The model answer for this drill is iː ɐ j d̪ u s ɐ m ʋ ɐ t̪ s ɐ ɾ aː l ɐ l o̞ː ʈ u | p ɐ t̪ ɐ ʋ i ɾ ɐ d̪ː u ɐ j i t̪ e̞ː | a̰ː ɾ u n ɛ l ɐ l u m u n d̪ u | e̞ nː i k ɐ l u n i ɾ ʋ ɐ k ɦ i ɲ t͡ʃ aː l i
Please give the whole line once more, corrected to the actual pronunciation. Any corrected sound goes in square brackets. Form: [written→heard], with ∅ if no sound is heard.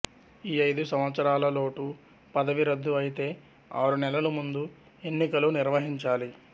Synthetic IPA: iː ɐ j d̪ u s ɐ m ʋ ɐ t̪ s ɐ ɾ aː l ɐ l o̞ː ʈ u | p ɐ [t̪→d̪] ɐ ʋ i ɾ ɐ d̪ː u ɐ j i t̪ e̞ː | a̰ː ɾ u n ɛ l ɐ l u m u n d̪ u | e̞ nː i k ɐ l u n i ɾ ʋ ɐ [k→∅] ɦ i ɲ t͡ʃ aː l i

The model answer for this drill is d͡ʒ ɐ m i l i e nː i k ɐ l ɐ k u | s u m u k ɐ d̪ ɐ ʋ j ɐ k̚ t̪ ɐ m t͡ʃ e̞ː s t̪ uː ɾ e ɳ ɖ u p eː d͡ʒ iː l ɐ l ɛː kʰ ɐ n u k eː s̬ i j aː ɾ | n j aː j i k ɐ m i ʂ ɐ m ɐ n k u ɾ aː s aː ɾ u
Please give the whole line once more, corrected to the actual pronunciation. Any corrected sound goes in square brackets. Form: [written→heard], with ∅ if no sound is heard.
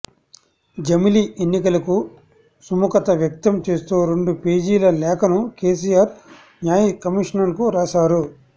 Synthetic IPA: d͡ʒ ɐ m i l i e nː i k ɐ l ɐ k u | s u m u k ɐ [d̪→t̪] ɐ ʋ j ɐ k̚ t̪ ɐ m t͡ʃ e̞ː s t̪ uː ɾ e ɳ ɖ u p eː d͡ʒ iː l ɐ l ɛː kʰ ɐ n u k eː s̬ i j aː ɾ | n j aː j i k ɐ m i ʂ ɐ [m→n] ɐ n k u ɾ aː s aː ɾ u

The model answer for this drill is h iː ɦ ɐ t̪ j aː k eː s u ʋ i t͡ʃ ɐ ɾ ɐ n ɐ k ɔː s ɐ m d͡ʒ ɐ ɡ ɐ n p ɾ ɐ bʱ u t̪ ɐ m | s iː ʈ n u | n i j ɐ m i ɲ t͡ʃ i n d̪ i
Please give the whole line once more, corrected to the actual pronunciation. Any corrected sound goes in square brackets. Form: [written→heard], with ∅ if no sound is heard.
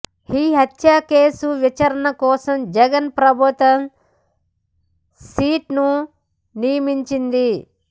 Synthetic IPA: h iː ɦ ɐ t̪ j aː k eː s u ʋ i t͡ʃ ɐ ɾ ɐ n ɐ k ɔː s ɐ m d͡ʒ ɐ ɡ ɐ n p ɾ ɐ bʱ u t̪ ɐ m | s iː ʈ n u | n i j ɐ m i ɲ t͡ʃ i n d̪ i

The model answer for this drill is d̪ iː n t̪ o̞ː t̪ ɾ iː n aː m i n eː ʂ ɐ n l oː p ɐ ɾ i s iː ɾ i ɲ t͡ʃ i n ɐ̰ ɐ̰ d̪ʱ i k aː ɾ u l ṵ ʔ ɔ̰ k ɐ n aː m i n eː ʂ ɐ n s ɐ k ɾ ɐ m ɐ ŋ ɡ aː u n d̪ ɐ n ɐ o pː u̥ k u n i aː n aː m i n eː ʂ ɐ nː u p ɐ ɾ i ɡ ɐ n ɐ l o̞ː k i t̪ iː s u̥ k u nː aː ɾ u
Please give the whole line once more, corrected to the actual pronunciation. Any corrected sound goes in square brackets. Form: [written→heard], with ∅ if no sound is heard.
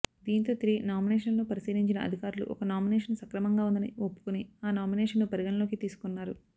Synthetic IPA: d̪ iː n t̪ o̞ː t̪ ɾ iː n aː m i n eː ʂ ɐ n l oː p ɐ ɾ i s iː ɾ i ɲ t͡ʃ i n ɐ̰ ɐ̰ d̪ʱ i k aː ɾ u l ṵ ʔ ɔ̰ k ɐ n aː m i n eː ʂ ɐ n s ɐ k ɾ ɐ m ɐ ŋ ɡ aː u n d̪ ɐ n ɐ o pː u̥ k u n i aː n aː m i n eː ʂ ɐ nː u p ɐ ɾ i ɡ ɐ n ɐ l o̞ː k i t̪ iː s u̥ k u nː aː ɾ u

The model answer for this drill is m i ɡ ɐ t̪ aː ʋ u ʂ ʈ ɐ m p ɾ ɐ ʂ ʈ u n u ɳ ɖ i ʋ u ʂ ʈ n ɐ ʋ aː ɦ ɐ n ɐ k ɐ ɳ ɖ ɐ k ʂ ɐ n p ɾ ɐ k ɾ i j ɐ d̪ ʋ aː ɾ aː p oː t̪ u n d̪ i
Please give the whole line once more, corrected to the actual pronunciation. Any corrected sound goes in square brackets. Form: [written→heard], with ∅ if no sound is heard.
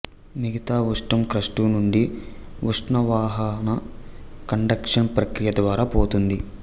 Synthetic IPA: m i ɡ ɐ t̪ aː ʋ u ʂ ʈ ɐ m [p→k] ɾ ɐ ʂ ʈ u n u ɳ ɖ i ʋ u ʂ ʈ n ɐ ʋ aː ɦ ɐ n ɐ k ɐ ɳ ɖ ɐ k ʂ ɐ n p ɾ ɐ k ɾ i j ɐ d̪ ʋ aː ɾ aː p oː t̪ u n d̪ i

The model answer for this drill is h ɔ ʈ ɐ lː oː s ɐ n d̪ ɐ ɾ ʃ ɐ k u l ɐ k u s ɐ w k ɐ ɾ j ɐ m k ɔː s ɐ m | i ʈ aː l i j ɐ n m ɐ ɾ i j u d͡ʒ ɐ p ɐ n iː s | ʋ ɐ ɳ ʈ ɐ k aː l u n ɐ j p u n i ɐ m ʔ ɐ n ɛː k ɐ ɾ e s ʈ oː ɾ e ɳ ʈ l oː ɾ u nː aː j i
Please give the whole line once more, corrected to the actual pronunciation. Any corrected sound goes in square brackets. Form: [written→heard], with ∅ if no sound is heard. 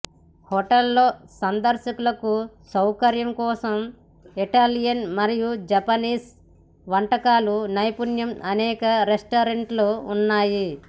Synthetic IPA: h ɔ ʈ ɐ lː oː s ɐ n d̪ ɐ ɾ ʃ ɐ k u l ɐ k u s ɐ w k ɐ ɾ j ɐ m k ɔː s ɐ m | i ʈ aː l i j ɐ n m ɐ ɾ i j u d͡ʒ ɐ p ɐ n iː s | ʋ ɐ ɳ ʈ ɐ k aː l u n ɐ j p u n [i→j] ɐ m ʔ ɐ n ɛː k ɐ ɾ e s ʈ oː ɾ e ɳ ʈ l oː [ɾ→∅] u nː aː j i

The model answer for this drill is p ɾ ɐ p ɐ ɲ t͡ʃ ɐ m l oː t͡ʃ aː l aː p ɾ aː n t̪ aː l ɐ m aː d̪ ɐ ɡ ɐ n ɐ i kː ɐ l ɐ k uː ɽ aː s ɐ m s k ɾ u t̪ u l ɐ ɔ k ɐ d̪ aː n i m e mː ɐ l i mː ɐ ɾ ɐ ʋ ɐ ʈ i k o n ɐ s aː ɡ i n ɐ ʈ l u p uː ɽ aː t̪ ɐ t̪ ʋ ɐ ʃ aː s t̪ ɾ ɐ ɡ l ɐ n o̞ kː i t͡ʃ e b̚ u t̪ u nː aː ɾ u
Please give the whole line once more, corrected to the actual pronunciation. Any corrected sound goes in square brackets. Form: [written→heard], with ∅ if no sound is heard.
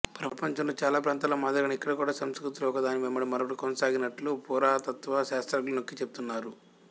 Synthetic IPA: p ɾ ɐ p ɐ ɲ t͡ʃ ɐ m l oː t͡ʃ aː l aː p ɾ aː n t̪ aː l ɐ m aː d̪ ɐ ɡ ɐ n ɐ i kː ɐ [l→ɽ] ɐ k uː ɽ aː s ɐ m s k ɾ u t̪ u l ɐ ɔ k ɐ d̪ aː n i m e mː ɐ [l→ɽ] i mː ɐ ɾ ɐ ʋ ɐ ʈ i k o n ɐ s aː ɡ i n ɐ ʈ l u p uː [ɽ→ɾ] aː t̪ ɐ t̪ ʋ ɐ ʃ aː s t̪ ɾ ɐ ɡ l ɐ n o̞ kː i t͡ʃ e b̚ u t̪ u nː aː ɾ u

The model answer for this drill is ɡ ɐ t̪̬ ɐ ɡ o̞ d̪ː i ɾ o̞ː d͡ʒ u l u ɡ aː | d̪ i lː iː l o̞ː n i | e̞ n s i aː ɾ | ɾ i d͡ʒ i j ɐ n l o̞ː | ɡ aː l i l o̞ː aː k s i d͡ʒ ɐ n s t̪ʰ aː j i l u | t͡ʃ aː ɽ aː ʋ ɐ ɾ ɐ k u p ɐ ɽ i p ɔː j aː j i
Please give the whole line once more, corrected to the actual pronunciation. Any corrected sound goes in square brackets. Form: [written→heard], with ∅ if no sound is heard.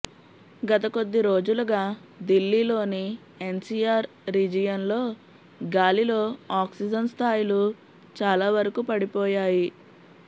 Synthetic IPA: ɡ ɐ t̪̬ ɐ [ɡ→k] o̞ d̪ː i ɾ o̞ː d͡ʒ u l u ɡ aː | d̪ i lː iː l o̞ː n i | e̞ n s i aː ɾ | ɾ i d͡ʒ i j ɐ n l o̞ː | ɡ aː l i l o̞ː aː k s i d͡ʒ ɐ n s t̪ʰ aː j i l u | t͡ʃ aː [ɽ→l] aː ʋ ɐ ɾ ɐ k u p ɐ ɽ i p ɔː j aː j i

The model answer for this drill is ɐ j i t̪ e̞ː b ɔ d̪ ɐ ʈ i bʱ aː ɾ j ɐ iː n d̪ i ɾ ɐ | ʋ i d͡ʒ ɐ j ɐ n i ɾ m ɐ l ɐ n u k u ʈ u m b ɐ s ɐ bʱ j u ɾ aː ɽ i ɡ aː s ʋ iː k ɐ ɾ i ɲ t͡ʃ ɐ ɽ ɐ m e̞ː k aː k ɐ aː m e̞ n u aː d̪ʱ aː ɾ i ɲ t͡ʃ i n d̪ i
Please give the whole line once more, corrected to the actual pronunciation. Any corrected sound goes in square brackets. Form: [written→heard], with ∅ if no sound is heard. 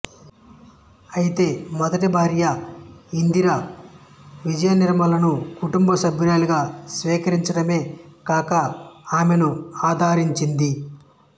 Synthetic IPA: ɐ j i t̪ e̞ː [b→m] ɔ d̪ ɐ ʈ i bʱ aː ɾ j ɐ [iː→i] n d̪ i ɾ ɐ | ʋ i d͡ʒ ɐ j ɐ n i ɾ m ɐ l ɐ n u k u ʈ u m b ɐ s ɐ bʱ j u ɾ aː [ɽ→l] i ɡ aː s ʋ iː k ɐ ɾ i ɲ t͡ʃ ɐ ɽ ɐ m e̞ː k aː k ɐ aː m e̞ n u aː d̪ʱ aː ɾ i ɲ t͡ʃ i n d̪ i

